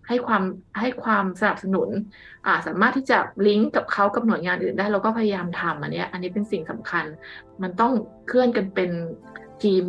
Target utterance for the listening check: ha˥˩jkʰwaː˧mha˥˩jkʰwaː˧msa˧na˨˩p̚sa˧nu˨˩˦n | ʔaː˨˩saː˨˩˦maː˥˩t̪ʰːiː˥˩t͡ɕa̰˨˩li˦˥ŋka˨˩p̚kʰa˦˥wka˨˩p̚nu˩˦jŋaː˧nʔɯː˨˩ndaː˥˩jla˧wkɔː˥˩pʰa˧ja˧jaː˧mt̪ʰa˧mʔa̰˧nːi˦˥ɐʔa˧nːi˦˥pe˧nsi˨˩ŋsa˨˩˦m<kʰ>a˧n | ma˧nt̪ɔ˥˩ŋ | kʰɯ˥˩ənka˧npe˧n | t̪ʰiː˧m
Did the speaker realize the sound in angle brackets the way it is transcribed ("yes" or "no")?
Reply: yes